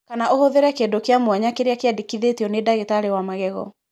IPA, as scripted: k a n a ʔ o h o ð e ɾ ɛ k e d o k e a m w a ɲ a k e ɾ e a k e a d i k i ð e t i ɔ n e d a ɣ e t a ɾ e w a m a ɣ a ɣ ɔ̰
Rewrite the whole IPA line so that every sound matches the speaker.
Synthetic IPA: k a n a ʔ o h o ð e ɾ ɛ k e d o k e a m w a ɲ a k e ɾ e a k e a d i k i ð e t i ɔ n e d a ɣ e t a ɾ e w a m a ɣ ɛ ɣ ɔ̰